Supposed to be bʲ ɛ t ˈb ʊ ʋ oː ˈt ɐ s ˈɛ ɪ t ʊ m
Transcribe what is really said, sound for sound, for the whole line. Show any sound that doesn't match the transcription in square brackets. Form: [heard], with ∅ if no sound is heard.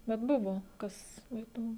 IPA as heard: bʲ ɛ t ˈb ʊ ʋ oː [ˈk] ɐ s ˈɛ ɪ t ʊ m

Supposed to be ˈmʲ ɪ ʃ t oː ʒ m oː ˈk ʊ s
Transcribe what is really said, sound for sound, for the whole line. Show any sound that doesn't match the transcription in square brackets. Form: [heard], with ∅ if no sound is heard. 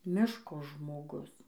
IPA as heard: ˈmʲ ɪ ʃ [k] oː ʒ m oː [ˈɡ] ʊ s

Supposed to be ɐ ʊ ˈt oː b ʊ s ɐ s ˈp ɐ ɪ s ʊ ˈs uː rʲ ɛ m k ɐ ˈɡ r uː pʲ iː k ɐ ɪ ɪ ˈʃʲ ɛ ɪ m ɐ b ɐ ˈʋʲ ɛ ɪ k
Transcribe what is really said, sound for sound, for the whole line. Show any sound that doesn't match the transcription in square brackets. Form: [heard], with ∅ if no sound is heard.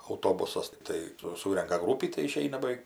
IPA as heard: ɐ ʊ ˈt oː b ʊ s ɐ s [ˈt] ɐ ɪ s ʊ ˈs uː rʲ ɛ [ŋ] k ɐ ˈɡ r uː pʲ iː [t] ɐ ɪ ɪ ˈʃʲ ɛ ɪ [n] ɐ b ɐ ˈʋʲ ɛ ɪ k

